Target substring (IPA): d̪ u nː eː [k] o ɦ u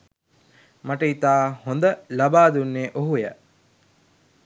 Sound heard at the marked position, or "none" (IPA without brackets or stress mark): ʔ